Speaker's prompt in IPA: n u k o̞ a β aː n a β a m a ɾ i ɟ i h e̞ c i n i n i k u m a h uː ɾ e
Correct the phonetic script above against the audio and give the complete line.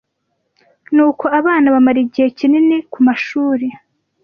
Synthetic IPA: n uː k o̞ a β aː n a β a m a ɾ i ɟ i h e̞ c i n i n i k u m a ʃ uː ɾ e